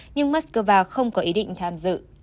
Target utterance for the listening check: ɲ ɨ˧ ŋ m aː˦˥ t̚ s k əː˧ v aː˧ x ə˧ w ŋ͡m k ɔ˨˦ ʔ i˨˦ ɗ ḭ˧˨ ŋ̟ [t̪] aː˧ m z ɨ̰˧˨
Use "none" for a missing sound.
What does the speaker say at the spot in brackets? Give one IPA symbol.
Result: t̪ʰ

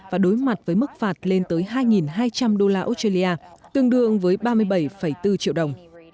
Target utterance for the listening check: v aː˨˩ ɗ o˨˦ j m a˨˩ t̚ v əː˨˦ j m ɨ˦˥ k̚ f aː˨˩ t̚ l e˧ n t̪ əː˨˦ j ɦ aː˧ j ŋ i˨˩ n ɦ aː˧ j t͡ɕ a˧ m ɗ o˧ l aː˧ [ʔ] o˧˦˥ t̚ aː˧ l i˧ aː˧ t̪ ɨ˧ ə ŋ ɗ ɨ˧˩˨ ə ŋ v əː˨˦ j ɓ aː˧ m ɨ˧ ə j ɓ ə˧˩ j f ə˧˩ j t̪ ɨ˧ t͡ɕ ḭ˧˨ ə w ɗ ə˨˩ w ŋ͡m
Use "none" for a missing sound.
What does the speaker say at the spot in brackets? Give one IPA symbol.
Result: ʔ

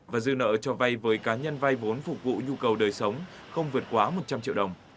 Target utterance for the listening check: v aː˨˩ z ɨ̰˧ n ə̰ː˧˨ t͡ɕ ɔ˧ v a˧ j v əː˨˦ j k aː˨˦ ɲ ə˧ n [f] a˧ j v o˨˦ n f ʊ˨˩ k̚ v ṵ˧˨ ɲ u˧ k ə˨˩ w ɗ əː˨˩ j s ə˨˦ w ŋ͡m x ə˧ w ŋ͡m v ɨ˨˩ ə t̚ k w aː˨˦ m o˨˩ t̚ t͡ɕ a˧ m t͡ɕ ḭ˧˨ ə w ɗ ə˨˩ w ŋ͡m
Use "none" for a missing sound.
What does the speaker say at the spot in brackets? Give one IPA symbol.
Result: v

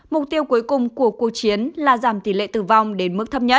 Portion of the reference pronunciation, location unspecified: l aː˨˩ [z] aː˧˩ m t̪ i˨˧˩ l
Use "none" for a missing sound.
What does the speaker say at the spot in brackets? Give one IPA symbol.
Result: z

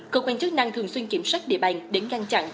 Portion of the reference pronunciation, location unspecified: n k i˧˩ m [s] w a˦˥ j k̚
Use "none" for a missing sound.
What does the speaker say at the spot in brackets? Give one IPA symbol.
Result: s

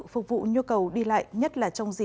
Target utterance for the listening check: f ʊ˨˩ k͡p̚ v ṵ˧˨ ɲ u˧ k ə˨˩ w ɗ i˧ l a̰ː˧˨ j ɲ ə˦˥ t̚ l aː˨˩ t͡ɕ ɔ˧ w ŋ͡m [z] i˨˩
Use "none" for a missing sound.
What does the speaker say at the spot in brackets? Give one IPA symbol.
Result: z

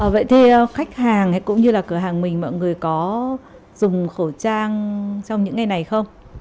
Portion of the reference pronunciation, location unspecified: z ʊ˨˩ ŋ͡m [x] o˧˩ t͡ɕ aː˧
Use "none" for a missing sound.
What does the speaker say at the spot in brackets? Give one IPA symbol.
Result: x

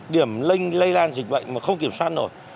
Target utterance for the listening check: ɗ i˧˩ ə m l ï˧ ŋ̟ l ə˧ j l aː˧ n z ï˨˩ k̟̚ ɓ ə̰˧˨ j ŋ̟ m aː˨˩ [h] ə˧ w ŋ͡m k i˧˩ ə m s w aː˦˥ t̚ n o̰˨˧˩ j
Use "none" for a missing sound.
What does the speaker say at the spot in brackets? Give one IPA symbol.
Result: x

